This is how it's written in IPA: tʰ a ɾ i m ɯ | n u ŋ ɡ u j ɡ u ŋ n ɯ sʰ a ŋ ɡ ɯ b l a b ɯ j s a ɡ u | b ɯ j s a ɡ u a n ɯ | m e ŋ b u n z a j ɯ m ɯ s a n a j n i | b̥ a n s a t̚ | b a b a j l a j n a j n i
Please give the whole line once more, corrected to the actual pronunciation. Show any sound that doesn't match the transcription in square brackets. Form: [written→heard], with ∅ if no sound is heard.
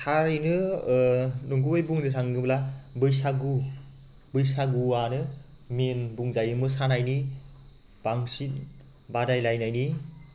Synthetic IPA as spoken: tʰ a ɾ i [m→n] ɯ | n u ŋ ɡ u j [ɡ→b] u ŋ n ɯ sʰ a ŋ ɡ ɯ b l a b ɯ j s a ɡ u | b ɯ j s a ɡ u a n ɯ | m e [ŋ→n] b u [n→ŋ] z a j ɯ m ɯ s a n a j n i | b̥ a [n→ŋ] s [a→i] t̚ | b a [b→d] a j l a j n a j n i

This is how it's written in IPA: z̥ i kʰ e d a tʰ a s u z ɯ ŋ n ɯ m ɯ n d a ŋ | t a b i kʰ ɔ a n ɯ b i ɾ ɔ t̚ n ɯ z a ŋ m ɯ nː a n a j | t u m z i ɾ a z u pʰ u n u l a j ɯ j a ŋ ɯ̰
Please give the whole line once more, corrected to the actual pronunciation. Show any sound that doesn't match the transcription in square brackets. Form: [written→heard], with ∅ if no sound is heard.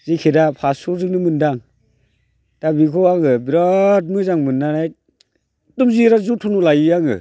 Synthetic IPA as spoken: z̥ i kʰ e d a [tʰ→pʰ] a s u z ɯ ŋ n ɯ m ɯ n d a ŋ | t a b i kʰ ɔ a [n→ŋ] ɯ b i ɾ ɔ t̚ [n→m] ɯ z a ŋ m ɯ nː a n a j | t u m z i ɾ a z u [pʰ→tʰ] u n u l a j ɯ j a ŋ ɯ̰

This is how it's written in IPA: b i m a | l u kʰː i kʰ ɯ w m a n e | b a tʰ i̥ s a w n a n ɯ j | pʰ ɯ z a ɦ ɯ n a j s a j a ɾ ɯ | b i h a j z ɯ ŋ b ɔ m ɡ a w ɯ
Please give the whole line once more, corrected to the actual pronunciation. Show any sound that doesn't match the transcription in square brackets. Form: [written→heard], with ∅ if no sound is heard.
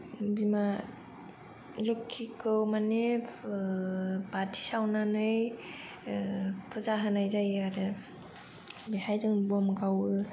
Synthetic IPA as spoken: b i m a | l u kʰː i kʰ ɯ w m a n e | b a tʰ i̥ s a w n a n ɯ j | pʰ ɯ z a ɦ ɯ n a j [s→z] a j a ɾ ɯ | b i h a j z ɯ ŋ b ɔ m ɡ a w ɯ

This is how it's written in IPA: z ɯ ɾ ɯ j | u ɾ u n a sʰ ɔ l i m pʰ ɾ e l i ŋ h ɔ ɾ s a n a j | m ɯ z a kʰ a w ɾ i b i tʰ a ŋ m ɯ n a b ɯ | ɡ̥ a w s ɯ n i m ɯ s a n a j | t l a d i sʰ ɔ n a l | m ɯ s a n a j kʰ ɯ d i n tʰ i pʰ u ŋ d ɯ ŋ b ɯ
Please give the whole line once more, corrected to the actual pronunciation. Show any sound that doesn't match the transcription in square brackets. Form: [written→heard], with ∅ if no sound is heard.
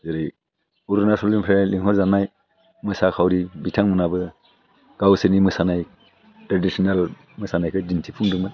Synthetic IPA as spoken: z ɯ ɾ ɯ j | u ɾ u n a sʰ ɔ l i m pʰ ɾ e l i ŋ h ɔ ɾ [s→z] a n a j | m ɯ [z→s] a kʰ a w ɾ i b i tʰ a ŋ m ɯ n a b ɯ | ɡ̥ a w s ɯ n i m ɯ s a n a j | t [l→ɾ] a d i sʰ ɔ n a l | m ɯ s a n a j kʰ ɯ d i n tʰ i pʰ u ŋ d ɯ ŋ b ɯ

